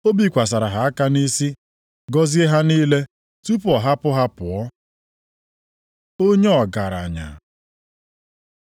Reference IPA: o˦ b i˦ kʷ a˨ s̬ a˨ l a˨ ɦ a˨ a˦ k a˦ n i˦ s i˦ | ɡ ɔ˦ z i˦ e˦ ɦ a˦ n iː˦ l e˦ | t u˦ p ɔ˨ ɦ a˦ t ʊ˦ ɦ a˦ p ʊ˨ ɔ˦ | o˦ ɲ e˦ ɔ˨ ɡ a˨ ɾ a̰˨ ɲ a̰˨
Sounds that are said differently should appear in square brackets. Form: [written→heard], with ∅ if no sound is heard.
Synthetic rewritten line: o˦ b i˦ kʷ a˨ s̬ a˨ [l→ɾ] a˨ ɦ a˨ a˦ k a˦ n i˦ s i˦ | ɡ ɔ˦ z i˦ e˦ ɦ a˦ n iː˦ l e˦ | t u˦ p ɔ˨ ɦ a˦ [t→p] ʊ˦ ɦ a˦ p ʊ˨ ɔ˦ | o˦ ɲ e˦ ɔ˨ ɡ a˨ ɾ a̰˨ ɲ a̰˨